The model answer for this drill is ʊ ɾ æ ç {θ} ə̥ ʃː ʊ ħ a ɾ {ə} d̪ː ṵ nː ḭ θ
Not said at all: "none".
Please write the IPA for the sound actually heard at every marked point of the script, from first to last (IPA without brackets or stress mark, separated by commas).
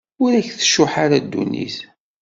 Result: θ, a